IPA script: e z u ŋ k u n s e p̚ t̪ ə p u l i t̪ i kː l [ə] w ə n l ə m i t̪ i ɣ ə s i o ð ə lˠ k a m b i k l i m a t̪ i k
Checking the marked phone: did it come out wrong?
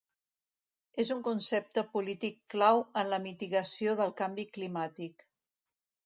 yes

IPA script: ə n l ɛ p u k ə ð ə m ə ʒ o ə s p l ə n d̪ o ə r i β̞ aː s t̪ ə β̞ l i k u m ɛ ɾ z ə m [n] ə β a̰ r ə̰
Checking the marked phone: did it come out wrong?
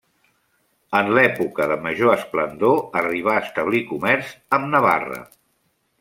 no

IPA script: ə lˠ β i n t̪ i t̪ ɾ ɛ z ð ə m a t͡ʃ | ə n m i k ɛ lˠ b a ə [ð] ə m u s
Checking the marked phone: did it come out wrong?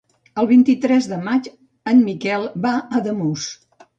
no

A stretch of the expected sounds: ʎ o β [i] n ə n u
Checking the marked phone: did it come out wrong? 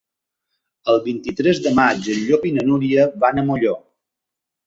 no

